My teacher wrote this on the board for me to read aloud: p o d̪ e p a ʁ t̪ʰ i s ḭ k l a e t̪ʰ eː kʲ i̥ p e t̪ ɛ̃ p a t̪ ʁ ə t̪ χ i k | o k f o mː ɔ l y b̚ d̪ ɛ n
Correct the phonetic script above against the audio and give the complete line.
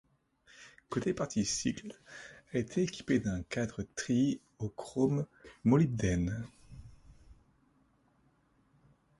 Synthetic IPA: k o t̪ e p a ʁ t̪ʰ i s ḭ k l a e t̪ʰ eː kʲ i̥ p e d̪ ɛ̃ k a d̪ ʁ ə t̪ χ i | o k χ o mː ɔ l i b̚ d̪ ɛ n